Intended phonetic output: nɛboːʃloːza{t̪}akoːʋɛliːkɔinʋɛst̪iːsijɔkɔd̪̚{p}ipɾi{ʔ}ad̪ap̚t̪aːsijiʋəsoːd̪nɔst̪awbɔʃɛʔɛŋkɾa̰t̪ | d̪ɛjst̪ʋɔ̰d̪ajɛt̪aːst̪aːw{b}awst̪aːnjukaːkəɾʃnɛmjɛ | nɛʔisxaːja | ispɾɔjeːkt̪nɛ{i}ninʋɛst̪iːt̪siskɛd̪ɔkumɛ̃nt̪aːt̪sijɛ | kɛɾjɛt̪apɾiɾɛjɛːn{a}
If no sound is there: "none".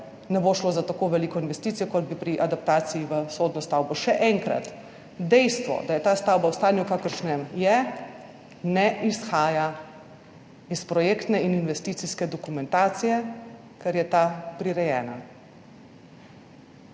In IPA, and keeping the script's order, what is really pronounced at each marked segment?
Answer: t̪, b, ʔ, b, i, a

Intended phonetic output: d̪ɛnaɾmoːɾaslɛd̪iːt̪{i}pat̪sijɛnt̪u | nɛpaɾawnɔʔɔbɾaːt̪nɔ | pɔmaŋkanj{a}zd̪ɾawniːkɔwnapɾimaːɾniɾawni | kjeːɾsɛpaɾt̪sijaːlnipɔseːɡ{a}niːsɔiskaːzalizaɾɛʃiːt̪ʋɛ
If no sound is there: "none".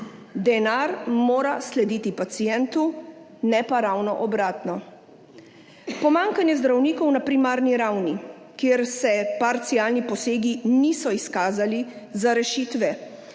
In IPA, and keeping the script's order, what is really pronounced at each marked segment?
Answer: i, ɛ, i

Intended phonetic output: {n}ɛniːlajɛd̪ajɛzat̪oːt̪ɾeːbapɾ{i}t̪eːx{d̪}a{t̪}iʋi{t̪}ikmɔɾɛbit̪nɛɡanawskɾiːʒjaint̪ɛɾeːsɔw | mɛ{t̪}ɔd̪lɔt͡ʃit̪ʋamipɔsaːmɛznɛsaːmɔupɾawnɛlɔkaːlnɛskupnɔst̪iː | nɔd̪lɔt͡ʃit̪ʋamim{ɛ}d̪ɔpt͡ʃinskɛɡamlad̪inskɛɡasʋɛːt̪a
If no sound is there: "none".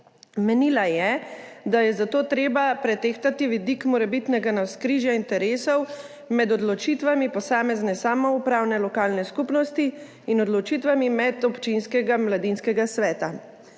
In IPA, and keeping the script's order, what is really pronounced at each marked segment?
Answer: m, ɛ, t̪, t̪, d̪, d̪, ɛ

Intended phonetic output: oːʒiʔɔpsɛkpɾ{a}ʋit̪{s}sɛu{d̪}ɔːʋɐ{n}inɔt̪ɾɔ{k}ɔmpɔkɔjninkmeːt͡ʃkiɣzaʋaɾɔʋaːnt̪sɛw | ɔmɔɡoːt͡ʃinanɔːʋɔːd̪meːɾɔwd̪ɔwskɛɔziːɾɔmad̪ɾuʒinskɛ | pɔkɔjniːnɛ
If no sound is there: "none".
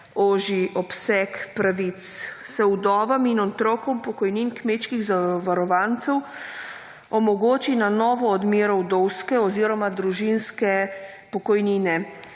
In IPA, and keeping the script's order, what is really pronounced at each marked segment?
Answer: a, s, d̪, m, k

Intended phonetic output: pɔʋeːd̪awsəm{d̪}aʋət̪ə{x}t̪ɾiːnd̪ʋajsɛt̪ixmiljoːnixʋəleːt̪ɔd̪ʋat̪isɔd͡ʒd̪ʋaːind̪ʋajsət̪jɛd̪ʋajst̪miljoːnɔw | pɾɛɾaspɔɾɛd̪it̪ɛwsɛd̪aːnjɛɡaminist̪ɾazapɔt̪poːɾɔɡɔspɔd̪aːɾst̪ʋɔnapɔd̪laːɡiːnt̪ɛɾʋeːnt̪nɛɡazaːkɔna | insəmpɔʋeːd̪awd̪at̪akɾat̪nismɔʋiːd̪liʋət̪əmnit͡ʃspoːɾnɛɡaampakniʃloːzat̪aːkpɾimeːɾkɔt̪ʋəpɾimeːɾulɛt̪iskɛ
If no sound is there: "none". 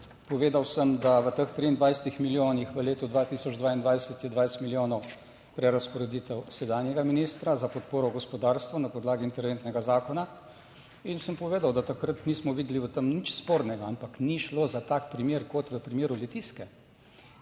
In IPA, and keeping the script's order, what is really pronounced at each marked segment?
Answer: d̪, x

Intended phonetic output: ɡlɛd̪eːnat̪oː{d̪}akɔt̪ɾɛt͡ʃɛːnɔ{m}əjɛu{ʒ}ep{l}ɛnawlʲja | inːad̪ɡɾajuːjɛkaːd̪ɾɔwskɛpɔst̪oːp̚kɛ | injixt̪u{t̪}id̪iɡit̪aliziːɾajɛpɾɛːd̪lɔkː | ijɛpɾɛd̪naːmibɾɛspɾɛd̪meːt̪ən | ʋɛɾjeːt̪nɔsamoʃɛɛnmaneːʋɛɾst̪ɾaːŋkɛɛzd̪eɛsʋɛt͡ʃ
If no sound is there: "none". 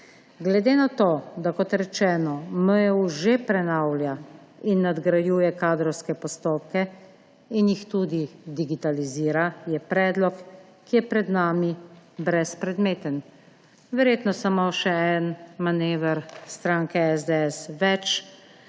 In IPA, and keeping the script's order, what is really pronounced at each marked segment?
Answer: d̪, m, ʒ, ɾ, d̪

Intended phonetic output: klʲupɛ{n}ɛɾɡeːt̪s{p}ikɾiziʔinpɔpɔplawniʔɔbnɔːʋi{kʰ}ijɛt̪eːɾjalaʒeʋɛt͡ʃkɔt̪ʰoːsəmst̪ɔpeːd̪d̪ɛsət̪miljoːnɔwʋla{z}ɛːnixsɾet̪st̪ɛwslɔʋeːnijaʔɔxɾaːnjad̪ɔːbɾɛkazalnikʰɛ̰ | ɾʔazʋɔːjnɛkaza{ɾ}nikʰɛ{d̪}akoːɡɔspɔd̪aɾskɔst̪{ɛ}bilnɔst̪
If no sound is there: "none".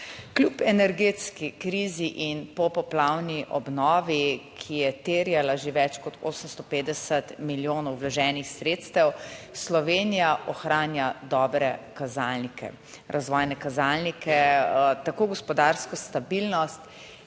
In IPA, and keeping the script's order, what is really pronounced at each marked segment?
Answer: n, k, kʰ, ʒ, l, t̪, a

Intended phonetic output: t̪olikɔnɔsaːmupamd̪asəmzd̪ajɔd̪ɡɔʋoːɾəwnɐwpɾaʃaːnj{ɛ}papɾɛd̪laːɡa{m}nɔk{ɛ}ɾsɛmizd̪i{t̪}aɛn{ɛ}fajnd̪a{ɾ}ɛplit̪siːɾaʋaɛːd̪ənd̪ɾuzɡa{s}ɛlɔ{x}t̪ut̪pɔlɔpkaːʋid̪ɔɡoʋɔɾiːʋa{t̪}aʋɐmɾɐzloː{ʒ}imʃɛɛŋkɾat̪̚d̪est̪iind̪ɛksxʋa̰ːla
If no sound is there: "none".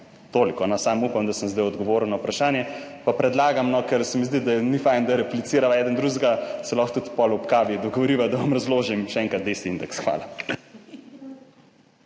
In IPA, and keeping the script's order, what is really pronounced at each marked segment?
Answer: ɛ, m, ɛ, d̪, i, ɾ, s, x, d̪, ʒ

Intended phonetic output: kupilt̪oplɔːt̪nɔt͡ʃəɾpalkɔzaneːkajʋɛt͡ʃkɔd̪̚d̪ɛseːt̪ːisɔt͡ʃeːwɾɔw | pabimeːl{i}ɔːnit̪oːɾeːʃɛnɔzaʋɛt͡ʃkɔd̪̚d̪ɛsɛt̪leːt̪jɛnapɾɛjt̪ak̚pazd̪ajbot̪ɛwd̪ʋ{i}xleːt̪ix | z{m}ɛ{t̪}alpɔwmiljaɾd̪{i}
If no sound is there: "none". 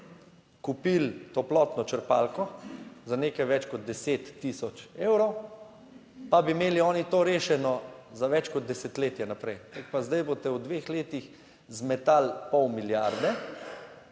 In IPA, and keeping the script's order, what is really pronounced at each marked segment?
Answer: i, e, m, t̪, ɛ

